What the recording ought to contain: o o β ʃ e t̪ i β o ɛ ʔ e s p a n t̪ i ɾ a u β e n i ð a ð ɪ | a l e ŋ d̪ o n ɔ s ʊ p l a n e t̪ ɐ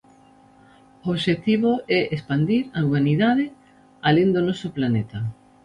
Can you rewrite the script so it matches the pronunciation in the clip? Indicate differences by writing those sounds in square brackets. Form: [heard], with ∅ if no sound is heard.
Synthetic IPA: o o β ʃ e t̪ i β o ɛ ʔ e s p a n [d̪] i ɾ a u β [a] n i ð a ð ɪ | a l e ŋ d̪ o n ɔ s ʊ p l a n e t̪ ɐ